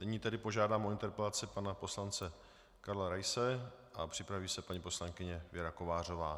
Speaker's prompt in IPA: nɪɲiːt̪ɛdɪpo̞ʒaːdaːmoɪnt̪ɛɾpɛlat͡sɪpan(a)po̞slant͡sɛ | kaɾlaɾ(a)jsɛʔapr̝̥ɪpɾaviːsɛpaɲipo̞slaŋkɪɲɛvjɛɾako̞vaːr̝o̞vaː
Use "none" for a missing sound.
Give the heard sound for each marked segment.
a, a

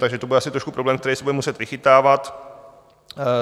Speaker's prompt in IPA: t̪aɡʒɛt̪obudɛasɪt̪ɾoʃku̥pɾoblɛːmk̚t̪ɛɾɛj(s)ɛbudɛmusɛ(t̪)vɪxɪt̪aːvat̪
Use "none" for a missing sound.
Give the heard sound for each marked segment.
s, t̪

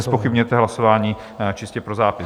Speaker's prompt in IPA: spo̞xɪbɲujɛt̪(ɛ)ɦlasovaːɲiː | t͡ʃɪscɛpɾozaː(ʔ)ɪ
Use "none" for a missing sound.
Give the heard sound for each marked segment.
ɛ, p

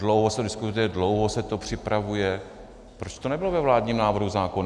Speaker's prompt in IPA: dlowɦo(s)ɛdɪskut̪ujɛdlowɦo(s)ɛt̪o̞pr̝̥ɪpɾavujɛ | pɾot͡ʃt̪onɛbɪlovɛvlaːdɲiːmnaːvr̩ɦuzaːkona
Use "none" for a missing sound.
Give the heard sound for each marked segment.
s, s

